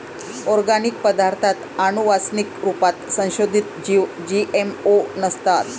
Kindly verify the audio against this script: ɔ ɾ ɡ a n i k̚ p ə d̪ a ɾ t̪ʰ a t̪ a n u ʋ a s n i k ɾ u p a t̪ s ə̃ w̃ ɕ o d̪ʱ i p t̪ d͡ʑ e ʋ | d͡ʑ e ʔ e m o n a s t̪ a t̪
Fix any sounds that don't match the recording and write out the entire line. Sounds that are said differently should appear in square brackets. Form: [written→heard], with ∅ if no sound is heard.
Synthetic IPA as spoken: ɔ ɾ ɡ a n i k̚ p ə d̪ a ɾ t̪ʰ a t̪ a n u ʋ a s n i k ɾ u p a t̪ s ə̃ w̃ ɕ o d̪ʱ i [p→∅] t̪ d͡ʑ [e→i] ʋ | d͡ʑ [e→i] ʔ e m o n [a→ə] s t̪ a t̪